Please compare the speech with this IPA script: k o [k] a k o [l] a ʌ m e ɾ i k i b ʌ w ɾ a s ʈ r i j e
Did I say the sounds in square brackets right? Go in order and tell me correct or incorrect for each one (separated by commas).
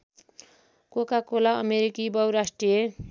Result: correct, correct